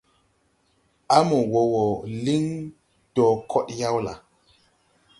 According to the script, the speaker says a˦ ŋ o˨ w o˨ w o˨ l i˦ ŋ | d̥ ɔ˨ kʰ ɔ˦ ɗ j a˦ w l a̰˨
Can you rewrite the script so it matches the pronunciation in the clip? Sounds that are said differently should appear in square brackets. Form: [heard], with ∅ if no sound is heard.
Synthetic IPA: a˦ [m] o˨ w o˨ w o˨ l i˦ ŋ | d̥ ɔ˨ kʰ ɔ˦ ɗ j a˦ w l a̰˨